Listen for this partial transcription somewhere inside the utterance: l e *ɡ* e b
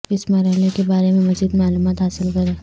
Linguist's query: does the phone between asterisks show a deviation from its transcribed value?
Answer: yes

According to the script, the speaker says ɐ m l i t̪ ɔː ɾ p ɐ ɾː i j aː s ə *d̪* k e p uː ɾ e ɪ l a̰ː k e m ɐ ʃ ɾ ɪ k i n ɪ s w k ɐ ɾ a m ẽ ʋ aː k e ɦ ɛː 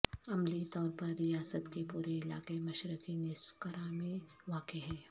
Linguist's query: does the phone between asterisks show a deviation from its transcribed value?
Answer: yes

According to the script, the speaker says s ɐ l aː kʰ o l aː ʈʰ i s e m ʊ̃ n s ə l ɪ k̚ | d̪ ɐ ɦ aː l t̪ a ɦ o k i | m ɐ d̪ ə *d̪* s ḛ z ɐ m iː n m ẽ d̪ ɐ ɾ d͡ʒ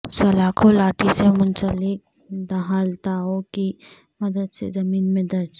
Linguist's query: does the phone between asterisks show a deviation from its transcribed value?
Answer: no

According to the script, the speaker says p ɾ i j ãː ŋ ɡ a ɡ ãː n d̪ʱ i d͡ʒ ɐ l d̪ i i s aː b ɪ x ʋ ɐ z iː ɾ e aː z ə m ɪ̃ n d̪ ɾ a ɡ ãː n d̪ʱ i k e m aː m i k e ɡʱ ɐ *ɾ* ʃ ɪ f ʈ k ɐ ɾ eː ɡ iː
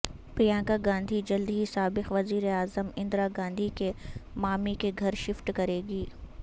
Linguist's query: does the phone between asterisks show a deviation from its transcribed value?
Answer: no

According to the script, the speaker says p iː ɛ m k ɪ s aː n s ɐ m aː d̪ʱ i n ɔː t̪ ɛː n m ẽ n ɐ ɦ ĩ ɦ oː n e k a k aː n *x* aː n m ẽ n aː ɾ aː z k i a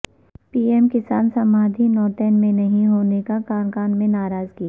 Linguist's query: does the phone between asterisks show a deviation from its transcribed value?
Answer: yes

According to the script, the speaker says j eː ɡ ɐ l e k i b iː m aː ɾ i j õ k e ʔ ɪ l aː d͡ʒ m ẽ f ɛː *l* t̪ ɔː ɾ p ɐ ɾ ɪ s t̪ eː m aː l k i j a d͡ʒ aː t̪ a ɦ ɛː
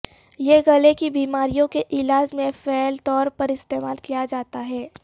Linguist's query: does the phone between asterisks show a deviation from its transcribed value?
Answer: no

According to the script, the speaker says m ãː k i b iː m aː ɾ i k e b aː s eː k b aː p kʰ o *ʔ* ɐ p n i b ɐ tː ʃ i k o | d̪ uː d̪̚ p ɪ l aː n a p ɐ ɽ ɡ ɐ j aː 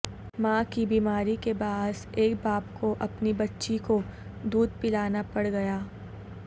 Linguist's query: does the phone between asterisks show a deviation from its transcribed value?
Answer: no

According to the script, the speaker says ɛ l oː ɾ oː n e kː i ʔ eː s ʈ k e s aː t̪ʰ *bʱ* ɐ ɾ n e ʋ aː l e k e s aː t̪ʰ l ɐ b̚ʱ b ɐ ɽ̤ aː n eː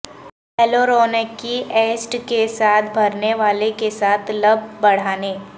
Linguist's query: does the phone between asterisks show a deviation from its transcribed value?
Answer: no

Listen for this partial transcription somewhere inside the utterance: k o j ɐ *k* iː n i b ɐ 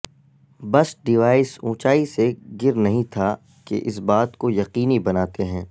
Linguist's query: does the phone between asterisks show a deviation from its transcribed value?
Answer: yes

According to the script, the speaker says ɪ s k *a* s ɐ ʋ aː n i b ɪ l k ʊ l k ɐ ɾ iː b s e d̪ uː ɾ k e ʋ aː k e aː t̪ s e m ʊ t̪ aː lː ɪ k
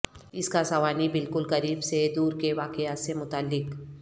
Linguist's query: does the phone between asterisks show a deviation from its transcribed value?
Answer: no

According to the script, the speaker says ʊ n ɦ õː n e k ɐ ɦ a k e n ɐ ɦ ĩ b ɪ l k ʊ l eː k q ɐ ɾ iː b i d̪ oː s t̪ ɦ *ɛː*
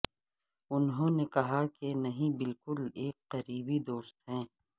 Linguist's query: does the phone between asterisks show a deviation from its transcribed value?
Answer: yes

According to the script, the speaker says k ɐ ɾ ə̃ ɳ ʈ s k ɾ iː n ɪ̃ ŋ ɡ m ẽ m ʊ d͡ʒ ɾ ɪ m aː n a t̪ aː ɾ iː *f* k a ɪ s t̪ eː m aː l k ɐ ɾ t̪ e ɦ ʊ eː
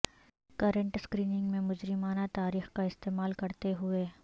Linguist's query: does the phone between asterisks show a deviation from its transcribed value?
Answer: yes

